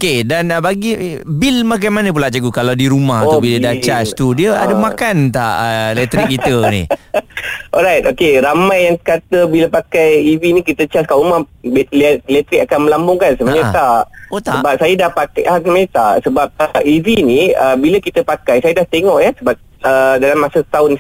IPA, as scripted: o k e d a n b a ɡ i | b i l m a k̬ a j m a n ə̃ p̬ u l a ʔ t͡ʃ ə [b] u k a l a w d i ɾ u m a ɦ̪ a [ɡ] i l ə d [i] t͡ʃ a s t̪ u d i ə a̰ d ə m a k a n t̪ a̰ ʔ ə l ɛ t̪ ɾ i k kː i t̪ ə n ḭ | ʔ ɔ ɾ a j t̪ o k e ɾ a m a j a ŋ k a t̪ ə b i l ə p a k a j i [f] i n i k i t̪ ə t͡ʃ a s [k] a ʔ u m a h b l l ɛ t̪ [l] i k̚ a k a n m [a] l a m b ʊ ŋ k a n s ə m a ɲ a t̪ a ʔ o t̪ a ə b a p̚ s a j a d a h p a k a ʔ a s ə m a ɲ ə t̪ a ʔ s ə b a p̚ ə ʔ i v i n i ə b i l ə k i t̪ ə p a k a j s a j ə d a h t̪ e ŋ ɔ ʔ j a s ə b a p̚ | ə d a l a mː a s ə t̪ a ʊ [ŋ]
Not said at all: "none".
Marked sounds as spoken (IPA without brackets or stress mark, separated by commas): ɡ, b, a, v, k, ɾ, ə, n